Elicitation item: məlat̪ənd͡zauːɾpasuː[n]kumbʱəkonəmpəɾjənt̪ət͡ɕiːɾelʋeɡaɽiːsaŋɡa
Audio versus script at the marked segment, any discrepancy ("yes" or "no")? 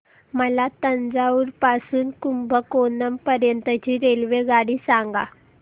no